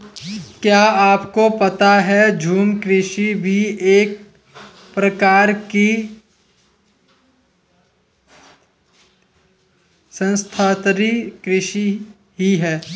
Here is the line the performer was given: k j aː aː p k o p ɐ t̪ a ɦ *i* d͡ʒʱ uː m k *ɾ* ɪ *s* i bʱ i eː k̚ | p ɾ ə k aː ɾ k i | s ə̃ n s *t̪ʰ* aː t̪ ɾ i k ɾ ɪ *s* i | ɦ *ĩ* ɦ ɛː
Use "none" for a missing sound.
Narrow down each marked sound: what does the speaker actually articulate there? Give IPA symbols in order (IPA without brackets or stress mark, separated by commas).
ɛ, ɾ, ʃ, t̪ʰ, ʃ, i